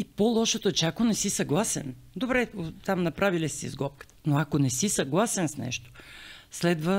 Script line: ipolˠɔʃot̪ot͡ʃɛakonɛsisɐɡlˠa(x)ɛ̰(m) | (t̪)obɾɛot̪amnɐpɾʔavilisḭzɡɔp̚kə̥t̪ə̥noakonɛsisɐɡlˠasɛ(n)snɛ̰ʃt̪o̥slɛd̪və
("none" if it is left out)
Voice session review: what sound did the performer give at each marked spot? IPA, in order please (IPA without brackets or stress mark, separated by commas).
s, n, d̪, n